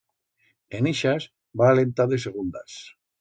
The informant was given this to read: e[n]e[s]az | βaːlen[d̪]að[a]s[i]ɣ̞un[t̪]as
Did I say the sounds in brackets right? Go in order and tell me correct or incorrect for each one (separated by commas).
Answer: correct, incorrect, incorrect, incorrect, incorrect, incorrect